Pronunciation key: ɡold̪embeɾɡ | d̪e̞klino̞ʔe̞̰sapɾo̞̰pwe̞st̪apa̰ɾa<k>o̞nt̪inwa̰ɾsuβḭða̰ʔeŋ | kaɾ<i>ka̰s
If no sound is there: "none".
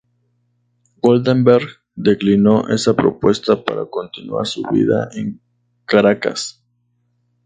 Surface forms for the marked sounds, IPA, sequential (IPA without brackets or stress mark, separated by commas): k, a